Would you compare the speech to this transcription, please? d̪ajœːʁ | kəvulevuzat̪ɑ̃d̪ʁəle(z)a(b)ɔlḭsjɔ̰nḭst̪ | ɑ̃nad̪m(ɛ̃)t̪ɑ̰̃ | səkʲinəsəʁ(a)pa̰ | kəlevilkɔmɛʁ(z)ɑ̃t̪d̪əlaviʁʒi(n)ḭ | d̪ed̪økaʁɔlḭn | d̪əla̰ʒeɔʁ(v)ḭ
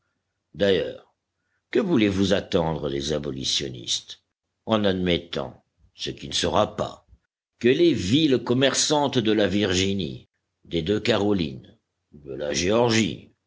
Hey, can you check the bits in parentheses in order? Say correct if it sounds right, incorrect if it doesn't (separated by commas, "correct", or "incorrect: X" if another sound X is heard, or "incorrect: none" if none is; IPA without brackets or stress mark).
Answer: correct, correct, incorrect: ɛ, correct, incorrect: s, correct, incorrect: ʒ